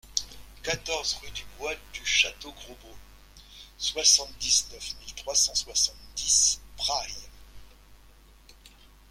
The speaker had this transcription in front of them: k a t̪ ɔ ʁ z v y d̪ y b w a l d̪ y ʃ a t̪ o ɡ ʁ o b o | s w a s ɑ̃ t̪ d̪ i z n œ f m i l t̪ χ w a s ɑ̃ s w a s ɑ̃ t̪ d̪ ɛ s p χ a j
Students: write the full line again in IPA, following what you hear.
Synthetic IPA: k a t̪ ɔ ʁ z ʁ y d̪ y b w a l d̪ y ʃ a t̪ o ɡ ʁ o b o | s w a s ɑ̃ t̪ d̪ i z n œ f m i l t̪ χ w a s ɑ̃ s w a s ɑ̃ t̪ d̪ i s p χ a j